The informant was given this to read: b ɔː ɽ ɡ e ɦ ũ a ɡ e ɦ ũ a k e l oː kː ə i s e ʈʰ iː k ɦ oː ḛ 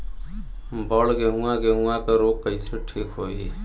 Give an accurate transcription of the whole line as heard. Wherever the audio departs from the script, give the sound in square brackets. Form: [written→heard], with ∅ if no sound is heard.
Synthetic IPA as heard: b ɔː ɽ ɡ e ɦ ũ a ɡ e ɦ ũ a k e [l→ɾ] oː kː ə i s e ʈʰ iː k ɦ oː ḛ